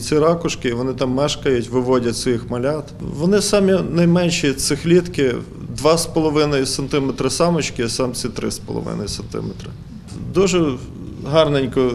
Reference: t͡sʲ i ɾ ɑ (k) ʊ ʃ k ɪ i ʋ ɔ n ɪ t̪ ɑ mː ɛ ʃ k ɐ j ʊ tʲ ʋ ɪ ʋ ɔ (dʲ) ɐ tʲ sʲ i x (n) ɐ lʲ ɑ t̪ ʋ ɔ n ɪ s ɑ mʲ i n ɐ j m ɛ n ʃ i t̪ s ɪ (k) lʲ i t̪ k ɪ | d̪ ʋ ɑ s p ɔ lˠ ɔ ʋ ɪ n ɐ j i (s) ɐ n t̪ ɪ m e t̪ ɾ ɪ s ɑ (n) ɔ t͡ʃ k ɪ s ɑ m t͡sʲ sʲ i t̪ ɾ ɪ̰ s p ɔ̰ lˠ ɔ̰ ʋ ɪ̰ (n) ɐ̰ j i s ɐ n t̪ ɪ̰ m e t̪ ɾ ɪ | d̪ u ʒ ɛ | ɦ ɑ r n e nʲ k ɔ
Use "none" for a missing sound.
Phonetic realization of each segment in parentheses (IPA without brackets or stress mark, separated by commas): k, dʲ, m, x, s, m, n